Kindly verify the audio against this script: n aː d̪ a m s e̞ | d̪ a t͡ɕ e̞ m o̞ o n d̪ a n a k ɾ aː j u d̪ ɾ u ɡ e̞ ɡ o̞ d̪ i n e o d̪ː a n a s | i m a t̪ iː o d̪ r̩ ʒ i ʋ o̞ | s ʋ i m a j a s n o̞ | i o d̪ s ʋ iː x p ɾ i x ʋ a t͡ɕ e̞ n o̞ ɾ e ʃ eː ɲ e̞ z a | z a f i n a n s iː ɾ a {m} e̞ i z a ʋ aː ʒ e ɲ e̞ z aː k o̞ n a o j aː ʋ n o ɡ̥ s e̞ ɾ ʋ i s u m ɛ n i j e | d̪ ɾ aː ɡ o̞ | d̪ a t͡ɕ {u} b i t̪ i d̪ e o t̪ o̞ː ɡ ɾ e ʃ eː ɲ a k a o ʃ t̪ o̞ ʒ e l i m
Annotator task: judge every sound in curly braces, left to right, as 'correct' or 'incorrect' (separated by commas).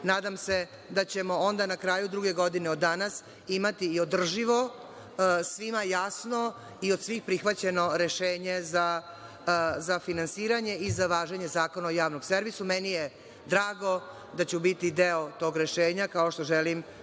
incorrect, correct